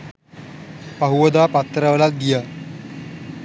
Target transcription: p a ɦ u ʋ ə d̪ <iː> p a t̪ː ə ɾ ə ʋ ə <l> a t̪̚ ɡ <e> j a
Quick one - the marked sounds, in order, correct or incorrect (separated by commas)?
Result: incorrect, correct, incorrect